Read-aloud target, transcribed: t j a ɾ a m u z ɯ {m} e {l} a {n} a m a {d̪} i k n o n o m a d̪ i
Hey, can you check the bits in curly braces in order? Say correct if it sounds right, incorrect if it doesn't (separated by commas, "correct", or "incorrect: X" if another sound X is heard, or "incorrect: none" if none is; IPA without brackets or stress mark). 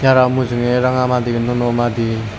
incorrect: ŋ, incorrect: ɾ, incorrect: ŋ, correct